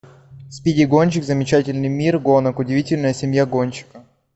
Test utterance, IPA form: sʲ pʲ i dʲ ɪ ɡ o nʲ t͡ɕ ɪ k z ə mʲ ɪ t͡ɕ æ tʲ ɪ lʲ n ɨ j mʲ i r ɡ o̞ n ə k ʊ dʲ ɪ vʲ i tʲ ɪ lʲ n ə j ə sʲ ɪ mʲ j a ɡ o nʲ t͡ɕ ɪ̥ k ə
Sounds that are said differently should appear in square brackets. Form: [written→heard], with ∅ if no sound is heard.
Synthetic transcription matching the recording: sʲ pʲ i dʲ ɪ ɡ o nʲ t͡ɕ ɪ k z ə mʲ ɪ t͡ɕ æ tʲ ɪ lʲ n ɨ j mʲ i r ɡ o̞ n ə k ʊ dʲ ɪ vʲ i tʲ ɪ lʲ n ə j ə sʲ ɪ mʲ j a ɡ o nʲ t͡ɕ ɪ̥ k ə